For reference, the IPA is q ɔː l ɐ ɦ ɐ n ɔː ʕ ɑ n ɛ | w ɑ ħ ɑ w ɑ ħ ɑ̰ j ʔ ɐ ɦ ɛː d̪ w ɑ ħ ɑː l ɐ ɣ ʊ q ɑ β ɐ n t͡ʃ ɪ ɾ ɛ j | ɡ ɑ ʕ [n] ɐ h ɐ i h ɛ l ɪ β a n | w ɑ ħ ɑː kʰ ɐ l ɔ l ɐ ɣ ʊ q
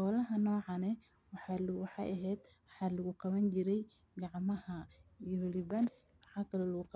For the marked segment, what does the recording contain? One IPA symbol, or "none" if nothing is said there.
m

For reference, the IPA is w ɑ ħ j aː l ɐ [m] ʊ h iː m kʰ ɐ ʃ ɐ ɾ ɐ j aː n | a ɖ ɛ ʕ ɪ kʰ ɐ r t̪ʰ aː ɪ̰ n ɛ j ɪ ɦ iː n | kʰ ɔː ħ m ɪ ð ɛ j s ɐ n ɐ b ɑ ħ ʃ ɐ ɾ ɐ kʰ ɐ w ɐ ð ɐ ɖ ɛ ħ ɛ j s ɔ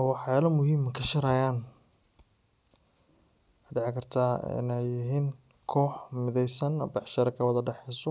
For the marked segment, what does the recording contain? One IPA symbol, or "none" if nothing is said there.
m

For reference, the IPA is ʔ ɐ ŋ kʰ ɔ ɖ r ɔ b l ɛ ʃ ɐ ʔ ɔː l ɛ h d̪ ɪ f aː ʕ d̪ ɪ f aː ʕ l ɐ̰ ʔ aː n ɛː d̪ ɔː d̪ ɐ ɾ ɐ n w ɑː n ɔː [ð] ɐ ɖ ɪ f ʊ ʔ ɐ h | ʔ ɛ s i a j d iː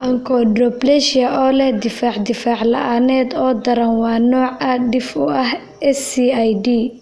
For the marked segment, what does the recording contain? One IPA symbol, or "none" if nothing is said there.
ʕ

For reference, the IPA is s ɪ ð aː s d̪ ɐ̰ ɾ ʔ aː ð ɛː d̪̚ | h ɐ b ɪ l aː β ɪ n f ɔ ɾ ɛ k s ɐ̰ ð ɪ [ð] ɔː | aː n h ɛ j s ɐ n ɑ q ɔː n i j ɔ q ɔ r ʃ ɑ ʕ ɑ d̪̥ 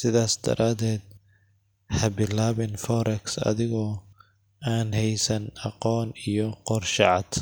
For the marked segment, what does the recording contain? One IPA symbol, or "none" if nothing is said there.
ɣ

